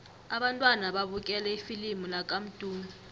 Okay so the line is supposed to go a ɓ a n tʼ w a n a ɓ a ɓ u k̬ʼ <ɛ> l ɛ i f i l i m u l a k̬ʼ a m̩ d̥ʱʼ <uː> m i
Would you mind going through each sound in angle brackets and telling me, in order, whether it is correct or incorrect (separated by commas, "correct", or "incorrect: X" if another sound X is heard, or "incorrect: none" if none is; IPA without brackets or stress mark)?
correct, correct